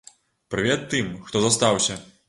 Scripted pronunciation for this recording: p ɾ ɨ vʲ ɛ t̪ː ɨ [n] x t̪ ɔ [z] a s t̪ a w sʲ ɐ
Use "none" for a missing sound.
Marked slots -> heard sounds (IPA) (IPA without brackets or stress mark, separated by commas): m, z